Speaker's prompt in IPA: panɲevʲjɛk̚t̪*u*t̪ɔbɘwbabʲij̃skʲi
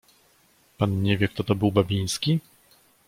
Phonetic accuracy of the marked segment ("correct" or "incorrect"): incorrect